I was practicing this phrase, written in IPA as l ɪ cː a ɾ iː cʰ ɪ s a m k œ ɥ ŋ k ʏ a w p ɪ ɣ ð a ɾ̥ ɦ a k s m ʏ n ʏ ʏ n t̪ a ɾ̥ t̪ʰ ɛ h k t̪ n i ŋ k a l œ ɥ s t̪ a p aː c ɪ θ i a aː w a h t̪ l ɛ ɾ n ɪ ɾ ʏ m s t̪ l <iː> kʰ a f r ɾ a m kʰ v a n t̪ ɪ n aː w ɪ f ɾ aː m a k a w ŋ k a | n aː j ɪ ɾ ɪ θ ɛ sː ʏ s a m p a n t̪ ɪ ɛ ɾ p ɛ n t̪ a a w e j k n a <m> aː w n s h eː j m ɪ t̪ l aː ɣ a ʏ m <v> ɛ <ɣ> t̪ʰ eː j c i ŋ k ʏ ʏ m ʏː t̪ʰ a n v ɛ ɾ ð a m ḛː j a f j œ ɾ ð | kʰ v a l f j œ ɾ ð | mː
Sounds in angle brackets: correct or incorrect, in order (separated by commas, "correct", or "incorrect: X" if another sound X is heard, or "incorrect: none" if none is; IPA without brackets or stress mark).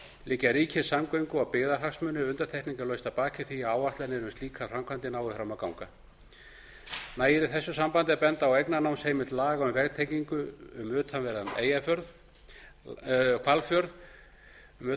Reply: correct, incorrect: n, correct, correct